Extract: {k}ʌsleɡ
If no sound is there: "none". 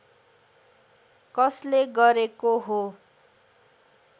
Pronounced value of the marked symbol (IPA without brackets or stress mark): k